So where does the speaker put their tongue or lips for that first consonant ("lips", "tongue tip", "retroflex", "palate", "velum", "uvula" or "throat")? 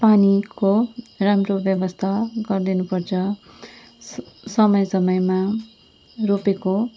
lips